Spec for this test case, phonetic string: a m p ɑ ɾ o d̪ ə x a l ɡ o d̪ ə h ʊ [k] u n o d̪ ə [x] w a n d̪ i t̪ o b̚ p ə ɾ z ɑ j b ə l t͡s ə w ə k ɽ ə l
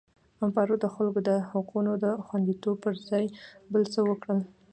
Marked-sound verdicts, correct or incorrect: incorrect: q, correct

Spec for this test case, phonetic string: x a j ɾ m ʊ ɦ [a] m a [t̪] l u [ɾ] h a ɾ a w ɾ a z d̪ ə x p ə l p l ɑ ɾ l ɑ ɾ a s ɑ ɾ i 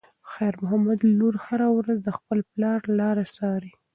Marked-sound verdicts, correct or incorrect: correct, incorrect: d̪, correct

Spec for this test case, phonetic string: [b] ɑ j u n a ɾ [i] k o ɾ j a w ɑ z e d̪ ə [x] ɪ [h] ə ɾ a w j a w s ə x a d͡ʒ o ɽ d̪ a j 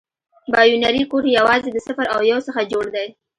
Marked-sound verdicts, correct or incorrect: correct, correct, incorrect: s, incorrect: f

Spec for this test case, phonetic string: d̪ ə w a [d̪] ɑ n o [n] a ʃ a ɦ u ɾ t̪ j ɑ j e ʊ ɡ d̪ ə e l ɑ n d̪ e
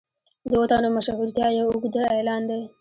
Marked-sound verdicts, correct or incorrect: incorrect: t̪, incorrect: m

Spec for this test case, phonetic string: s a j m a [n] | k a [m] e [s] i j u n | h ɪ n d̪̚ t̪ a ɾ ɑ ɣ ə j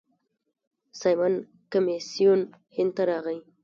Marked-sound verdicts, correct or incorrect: correct, correct, correct

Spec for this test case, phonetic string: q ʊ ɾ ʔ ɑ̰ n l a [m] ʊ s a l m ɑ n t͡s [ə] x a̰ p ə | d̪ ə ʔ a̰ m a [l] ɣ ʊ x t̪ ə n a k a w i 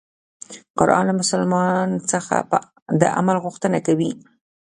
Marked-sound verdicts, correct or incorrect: correct, correct, correct

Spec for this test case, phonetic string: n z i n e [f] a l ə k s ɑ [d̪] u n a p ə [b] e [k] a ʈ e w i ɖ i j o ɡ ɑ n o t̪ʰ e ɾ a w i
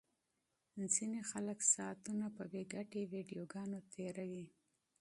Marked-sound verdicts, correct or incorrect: incorrect: x, incorrect: t̪, correct, incorrect: ɡ

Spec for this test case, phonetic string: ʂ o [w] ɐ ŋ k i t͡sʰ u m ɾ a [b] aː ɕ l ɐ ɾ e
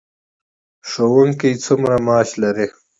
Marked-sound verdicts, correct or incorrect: correct, incorrect: m

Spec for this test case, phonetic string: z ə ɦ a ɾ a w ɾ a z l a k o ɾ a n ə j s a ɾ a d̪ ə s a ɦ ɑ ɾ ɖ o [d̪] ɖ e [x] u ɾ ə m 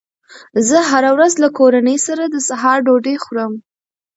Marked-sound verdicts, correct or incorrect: incorrect: none, correct

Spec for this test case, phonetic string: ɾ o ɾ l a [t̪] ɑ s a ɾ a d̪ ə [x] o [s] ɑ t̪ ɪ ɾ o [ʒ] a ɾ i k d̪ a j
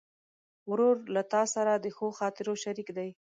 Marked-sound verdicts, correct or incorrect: correct, correct, incorrect: x, incorrect: ʃ

